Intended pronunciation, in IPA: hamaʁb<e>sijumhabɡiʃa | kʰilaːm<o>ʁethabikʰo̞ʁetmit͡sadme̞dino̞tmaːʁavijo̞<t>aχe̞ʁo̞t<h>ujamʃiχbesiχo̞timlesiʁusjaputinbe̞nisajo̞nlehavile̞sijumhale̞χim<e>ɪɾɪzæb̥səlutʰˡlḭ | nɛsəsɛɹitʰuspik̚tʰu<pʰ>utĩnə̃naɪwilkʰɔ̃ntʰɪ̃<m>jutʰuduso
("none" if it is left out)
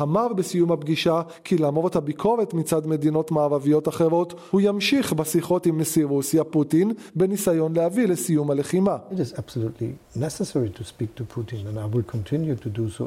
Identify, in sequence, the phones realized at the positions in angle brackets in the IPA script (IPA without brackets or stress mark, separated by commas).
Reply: e, o, t, h, a, pʰ, n